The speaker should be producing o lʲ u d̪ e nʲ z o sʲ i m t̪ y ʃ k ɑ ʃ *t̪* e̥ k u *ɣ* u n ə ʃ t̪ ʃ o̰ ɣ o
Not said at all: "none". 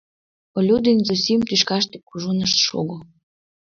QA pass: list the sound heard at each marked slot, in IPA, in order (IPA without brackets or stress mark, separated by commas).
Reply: t̪, ʒ